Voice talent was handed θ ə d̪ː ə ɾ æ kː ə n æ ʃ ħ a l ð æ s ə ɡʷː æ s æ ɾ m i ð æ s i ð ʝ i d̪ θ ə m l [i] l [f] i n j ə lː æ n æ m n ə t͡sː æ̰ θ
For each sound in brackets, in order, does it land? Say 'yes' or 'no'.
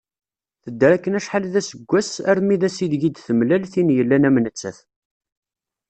no, no

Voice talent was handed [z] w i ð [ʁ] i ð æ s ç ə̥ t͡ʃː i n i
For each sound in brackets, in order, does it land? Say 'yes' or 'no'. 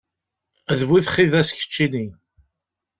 no, no

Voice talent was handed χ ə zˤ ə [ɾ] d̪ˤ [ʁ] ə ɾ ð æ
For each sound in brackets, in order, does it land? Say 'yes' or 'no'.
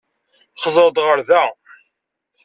yes, yes

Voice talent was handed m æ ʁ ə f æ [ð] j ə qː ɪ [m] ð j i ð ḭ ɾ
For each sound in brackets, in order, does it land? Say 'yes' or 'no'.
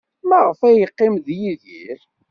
no, yes

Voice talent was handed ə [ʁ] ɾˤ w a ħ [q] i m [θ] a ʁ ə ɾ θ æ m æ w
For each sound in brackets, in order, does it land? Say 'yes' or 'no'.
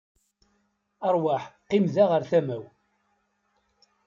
no, yes, no

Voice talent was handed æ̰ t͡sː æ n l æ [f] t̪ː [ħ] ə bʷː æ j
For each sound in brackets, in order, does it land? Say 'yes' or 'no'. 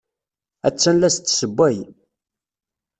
no, no

